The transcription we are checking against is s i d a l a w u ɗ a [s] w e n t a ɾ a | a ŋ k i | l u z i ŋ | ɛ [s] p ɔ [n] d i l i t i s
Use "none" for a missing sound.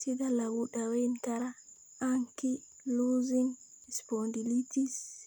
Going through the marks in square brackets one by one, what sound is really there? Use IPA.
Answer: none, s, n

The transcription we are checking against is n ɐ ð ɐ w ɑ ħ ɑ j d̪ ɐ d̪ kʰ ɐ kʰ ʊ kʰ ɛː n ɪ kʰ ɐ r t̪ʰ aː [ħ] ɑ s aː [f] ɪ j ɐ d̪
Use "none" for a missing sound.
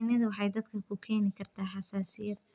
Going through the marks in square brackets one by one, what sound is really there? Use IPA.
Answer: ħ, s

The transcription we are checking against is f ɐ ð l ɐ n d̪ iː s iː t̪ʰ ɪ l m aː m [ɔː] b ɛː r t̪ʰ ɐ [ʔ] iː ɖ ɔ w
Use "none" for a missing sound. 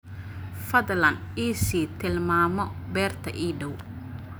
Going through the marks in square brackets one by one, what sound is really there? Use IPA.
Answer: ɔ, ʔ

